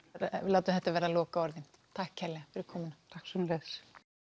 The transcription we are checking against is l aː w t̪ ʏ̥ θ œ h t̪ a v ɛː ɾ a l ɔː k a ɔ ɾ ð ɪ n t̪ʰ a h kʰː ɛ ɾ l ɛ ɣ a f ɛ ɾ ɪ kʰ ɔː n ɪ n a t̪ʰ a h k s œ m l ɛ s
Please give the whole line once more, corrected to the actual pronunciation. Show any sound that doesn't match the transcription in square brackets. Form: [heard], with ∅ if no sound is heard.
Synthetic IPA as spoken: l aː w t̪ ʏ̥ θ [ɛ] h t̪ a v ɛː ɾ a l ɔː k a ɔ ɾ ð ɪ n t̪ʰ a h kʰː ɛ ɾ l ɛ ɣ a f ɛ ɾ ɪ kʰ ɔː [m] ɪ n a t̪ʰ a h k s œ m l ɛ s